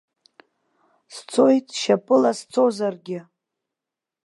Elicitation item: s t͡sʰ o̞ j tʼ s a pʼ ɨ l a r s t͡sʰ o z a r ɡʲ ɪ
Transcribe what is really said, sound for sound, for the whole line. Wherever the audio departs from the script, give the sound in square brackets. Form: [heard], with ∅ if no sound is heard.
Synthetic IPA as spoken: s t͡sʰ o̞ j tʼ [ʃ] a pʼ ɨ l a [∅] s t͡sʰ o z a r ɡʲ ɪ